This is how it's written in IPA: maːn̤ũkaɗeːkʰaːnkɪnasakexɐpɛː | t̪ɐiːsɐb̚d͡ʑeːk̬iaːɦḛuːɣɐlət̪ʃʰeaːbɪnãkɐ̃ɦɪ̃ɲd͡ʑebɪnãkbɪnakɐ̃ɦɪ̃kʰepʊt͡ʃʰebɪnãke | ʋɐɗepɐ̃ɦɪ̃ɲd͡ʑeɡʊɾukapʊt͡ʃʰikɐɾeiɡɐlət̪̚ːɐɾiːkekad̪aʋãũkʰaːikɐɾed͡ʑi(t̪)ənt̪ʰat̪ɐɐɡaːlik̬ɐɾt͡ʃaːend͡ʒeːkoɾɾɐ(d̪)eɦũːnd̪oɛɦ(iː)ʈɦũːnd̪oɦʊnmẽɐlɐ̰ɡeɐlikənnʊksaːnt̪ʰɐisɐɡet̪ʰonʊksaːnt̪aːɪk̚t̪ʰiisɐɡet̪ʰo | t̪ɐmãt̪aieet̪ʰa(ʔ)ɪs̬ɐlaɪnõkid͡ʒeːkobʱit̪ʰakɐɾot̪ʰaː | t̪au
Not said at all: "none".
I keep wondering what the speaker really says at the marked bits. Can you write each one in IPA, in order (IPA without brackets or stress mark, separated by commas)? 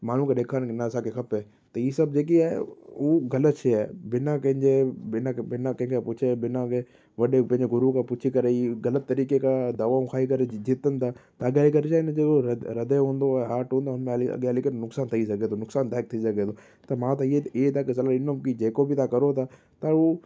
t̪, d̪, aː, k